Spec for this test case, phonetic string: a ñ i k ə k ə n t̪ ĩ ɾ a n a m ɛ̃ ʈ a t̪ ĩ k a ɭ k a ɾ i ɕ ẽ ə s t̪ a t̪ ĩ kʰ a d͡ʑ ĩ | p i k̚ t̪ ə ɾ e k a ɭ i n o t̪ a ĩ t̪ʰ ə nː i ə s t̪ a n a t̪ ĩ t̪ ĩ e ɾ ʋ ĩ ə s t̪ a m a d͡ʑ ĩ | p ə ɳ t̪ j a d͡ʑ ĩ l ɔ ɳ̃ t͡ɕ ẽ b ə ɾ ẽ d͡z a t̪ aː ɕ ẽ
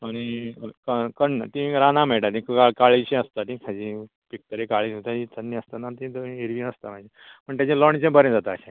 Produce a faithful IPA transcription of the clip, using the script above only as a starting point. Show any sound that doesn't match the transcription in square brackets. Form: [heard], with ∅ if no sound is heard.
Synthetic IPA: a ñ i k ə k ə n t̪ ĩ ɾ a n a m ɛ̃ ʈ a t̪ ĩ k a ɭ k a [ɭ] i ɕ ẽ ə s t̪ a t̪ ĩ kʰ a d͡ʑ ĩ | p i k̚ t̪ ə ɾ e k a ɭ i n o t̪ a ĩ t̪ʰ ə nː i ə s t̪ a n a t̪ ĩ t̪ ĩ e ɾ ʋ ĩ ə s t̪ a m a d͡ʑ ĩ | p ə ɳ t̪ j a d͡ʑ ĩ l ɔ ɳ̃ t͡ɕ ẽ b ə ɾ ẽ d͡z a t̪ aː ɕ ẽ